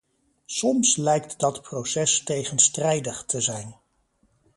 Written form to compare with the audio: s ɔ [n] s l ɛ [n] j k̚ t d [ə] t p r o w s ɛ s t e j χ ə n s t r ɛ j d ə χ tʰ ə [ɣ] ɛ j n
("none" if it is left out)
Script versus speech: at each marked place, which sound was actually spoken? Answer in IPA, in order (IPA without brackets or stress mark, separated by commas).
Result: m, none, ɑ, z